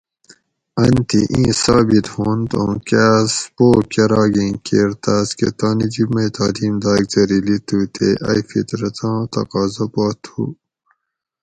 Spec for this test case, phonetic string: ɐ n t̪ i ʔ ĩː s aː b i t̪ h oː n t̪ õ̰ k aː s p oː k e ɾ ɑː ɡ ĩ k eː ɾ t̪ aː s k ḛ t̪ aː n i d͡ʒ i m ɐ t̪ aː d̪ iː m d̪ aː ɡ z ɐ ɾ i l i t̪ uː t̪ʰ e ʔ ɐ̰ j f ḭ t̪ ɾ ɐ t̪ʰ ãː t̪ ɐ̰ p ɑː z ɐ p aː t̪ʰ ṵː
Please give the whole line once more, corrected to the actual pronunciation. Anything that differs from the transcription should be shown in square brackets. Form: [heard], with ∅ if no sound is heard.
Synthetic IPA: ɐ n t̪ i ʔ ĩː s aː b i t̪ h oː n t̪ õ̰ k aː s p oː k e ɾ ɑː ɡ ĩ k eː ɾ t̪ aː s k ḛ t̪ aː n i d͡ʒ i m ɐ t̪ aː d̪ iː m d̪ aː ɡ z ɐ ɾ i l i t̪ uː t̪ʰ e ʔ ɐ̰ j f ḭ t̪ ɾ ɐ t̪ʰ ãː t̪ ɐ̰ [q] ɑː z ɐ p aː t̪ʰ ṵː